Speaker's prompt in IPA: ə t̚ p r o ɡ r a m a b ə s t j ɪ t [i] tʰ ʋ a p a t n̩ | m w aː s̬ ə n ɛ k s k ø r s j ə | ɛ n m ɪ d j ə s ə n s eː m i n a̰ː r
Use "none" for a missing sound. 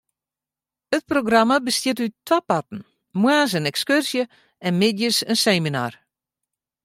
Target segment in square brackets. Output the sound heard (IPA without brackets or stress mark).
y